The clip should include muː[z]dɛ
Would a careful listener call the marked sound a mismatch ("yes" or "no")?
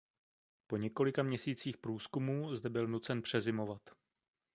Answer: no